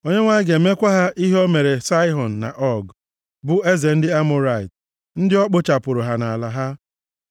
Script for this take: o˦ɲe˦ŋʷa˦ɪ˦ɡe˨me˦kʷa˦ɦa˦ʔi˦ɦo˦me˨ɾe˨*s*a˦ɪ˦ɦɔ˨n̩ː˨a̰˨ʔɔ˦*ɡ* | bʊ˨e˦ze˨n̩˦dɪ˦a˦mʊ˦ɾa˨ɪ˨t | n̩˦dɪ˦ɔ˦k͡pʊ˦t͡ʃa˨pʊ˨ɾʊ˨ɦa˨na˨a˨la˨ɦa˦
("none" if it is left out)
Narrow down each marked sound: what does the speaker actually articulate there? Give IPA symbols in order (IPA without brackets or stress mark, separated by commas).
s, ɡ